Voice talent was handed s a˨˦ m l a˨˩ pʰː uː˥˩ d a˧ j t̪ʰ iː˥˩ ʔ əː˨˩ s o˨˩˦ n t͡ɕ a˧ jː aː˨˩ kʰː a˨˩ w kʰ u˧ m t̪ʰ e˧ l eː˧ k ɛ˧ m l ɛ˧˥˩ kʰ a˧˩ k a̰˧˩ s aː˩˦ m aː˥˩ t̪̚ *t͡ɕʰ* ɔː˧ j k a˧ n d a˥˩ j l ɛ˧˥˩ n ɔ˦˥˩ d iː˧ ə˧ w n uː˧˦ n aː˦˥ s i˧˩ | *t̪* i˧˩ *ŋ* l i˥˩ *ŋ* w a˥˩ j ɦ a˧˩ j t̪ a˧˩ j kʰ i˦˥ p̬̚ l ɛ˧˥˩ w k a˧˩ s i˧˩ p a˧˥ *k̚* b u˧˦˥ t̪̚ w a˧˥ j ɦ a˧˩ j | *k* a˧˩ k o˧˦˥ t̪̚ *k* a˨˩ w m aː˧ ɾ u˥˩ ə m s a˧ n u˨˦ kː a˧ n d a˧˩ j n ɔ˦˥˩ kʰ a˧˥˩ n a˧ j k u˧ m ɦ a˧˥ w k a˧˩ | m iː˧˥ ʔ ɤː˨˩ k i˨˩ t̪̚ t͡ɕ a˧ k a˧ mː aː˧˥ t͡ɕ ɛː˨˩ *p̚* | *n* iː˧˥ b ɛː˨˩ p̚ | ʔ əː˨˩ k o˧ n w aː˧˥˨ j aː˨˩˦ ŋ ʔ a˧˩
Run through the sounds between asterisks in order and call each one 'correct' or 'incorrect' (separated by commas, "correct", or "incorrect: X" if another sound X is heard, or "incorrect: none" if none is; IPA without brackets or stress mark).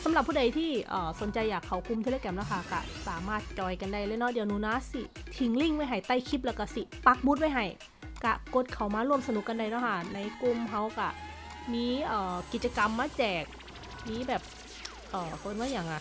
incorrect: t͡ɕ, incorrect: t̪ʰ, correct, correct, correct, correct, incorrect: kʰ, incorrect: k̚, incorrect: m